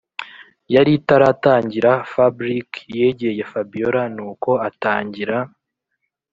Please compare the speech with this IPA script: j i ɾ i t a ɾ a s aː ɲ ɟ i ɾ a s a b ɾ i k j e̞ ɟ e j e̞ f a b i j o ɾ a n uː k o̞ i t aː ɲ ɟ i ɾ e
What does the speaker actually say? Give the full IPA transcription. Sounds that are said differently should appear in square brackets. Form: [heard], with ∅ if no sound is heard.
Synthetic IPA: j [a] ɾ i t a ɾ a [t] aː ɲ ɟ i ɾ a [f] a b ɾ i k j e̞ ɟ e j e̞ f a b i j o ɾ a n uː k o̞ [a] t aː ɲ ɟ i ɾ [a]